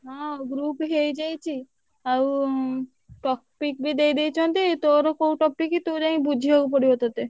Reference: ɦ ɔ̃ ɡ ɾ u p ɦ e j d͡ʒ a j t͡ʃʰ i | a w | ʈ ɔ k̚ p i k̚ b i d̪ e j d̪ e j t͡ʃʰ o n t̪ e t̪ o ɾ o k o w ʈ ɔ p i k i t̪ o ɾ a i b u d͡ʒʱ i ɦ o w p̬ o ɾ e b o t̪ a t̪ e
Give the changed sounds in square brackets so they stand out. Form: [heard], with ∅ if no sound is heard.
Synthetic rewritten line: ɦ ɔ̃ ɡ ɾ u p ɦ e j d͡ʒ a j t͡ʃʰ i | a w | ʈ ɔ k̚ p i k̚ b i d̪ e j d̪ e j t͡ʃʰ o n t̪ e t̪ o ɾ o k o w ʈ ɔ p i k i t̪ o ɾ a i b u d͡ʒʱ i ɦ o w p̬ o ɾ [i] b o t̪ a t̪ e

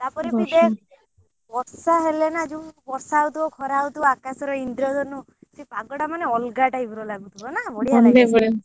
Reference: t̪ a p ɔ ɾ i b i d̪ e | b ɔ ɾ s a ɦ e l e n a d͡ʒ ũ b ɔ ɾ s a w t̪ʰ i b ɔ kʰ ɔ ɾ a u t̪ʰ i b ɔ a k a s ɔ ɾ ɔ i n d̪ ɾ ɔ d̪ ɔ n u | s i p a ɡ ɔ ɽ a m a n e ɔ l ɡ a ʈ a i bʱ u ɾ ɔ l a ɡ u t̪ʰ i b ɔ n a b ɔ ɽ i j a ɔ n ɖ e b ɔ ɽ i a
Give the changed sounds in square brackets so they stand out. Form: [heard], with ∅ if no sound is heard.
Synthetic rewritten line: t̪ a p ɔ ɾ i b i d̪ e | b ɔ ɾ s a ɦ e l e n a d͡ʒ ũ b ɔ ɾ s a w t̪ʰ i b ɔ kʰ ɔ ɾ a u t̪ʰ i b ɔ a k a s ɔ ɾ ɔ i n d̪ ɾ ɔ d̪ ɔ n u | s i p a ɡ ɔ ɽ a m a n e ɔ l ɡ a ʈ a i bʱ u ɾ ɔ l a ɡ u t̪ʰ i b ɔ n a b ɔ ɽ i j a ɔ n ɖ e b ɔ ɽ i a

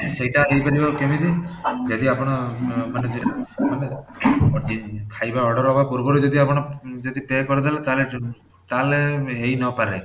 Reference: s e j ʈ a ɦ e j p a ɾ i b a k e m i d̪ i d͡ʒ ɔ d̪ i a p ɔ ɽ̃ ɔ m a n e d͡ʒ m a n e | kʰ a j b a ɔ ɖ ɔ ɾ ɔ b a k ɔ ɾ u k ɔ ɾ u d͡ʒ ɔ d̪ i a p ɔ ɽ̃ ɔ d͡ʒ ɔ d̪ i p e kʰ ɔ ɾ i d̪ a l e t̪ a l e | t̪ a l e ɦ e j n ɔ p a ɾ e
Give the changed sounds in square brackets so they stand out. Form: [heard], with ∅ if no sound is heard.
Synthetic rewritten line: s e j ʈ a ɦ e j p a ɾ i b a k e m i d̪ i d͡ʒ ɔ d̪ i a p ɔ ɽ̃ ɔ m a n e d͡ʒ m a n e | kʰ a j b a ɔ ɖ ɔ ɾ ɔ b a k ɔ ɾ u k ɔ ɾ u d͡ʒ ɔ d̪ i a p ɔ ɽ̃ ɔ d͡ʒ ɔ d̪ i p e [k] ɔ ɾ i d̪ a l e t̪ a l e | t̪ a l e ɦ e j n ɔ p a ɾ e

